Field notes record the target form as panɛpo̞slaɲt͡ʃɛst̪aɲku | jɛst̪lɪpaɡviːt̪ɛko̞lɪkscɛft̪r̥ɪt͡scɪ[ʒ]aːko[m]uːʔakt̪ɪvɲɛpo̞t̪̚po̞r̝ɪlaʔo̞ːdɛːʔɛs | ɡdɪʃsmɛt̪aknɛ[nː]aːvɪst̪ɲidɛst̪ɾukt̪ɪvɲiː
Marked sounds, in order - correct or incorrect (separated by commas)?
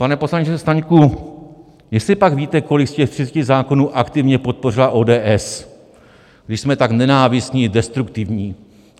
incorrect, incorrect, incorrect